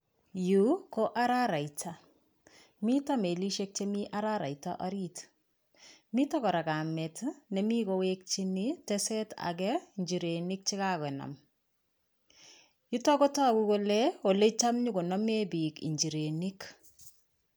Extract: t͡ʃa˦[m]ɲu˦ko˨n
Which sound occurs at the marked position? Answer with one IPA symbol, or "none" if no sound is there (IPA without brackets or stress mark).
m